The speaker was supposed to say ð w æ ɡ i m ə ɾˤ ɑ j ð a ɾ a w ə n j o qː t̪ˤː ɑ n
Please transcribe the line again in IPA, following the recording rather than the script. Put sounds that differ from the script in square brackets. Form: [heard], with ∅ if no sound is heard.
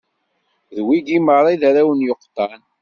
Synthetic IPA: ð w [i] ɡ i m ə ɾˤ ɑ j ð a ɾ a w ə n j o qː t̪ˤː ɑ n